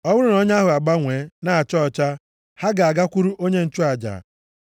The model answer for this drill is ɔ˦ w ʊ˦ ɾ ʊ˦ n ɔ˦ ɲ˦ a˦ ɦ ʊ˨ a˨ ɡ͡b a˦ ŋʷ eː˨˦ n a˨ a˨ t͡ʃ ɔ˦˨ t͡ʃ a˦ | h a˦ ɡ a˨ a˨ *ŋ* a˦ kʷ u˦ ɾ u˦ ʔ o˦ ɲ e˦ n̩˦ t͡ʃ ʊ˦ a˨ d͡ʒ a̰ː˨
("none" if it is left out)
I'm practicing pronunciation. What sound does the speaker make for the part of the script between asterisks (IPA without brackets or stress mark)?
ɡ